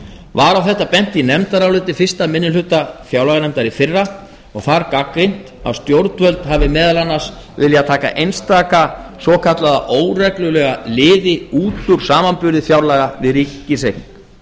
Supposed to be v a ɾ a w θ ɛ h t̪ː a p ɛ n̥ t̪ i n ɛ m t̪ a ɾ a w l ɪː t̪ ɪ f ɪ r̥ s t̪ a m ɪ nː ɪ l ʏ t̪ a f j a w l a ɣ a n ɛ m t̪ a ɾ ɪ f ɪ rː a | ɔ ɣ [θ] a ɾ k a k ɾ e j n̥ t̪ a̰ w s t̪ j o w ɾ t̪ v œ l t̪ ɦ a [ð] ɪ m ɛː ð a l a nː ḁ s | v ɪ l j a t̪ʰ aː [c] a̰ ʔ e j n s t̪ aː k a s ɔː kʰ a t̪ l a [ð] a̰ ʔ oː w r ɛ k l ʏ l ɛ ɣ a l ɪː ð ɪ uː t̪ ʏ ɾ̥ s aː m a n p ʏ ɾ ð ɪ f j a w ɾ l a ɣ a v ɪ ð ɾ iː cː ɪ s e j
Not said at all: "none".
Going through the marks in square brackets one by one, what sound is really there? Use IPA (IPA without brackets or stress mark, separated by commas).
θ, v, k, ð